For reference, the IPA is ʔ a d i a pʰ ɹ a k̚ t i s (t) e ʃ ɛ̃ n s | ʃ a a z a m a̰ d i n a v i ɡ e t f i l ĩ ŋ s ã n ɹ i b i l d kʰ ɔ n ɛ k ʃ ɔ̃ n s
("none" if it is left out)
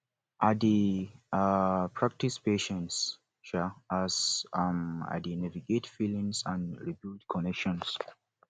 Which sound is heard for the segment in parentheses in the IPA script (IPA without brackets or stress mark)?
p